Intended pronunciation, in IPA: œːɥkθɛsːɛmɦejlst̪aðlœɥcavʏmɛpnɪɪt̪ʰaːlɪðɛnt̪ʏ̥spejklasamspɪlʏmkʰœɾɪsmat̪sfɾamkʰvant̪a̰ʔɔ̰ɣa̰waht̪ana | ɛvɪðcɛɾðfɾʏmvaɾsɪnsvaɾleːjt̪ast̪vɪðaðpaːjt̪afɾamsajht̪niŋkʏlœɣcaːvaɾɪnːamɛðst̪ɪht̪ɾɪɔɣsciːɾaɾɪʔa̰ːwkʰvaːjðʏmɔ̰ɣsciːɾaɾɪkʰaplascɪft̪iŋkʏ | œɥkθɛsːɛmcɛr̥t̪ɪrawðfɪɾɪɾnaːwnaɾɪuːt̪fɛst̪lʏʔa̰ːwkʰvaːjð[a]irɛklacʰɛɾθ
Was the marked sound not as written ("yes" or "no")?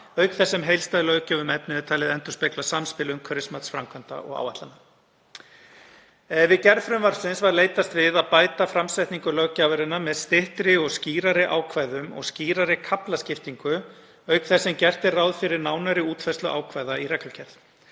no